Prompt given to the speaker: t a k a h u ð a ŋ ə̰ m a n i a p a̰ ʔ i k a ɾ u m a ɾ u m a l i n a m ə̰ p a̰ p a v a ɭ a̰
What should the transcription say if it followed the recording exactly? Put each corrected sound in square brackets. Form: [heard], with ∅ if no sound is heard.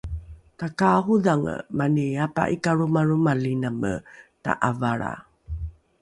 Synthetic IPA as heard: t a k a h u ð a ŋ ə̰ m a n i a p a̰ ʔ i k a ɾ u m a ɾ u m a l i n a m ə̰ [t] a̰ [ʔ] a v a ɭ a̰